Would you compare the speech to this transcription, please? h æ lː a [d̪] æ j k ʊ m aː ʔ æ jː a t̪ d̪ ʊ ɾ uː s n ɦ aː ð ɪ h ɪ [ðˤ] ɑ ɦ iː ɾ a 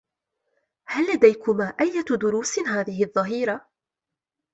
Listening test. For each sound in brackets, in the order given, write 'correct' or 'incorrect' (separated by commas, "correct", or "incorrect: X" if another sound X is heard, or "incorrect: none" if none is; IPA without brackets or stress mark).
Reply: correct, incorrect: ðˤː